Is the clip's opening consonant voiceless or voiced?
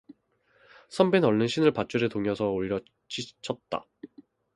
voiceless